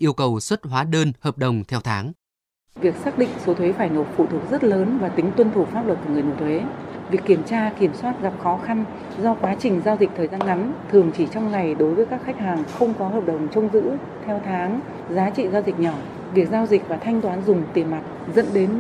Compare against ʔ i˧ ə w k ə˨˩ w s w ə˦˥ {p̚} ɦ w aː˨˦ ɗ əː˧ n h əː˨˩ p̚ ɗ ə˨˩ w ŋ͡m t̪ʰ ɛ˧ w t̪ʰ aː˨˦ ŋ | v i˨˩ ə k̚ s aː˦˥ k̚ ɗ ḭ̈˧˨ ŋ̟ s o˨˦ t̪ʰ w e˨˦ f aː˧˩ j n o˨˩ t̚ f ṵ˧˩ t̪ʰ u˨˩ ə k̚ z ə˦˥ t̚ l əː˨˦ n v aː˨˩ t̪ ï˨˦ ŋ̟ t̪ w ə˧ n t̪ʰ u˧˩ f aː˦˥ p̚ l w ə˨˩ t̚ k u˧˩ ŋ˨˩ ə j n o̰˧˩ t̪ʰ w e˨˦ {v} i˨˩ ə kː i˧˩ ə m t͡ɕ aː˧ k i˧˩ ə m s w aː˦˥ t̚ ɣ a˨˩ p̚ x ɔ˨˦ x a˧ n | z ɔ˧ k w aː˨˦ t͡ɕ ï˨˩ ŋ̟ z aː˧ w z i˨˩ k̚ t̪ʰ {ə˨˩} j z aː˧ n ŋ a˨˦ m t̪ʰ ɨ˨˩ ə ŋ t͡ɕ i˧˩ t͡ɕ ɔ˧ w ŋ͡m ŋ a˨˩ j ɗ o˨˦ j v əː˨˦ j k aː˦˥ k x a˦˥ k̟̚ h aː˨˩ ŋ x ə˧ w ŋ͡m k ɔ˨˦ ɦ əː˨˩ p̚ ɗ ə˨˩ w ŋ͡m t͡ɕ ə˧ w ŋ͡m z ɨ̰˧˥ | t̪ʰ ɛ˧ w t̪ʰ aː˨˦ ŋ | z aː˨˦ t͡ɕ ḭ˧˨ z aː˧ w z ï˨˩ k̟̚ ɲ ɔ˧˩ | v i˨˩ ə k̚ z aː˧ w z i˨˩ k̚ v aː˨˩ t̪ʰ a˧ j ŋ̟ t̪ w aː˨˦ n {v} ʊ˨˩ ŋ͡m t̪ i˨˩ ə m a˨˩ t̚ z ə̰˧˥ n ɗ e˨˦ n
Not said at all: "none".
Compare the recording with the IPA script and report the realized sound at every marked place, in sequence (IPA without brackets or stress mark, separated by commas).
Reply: t̚, v, əː˨˩, z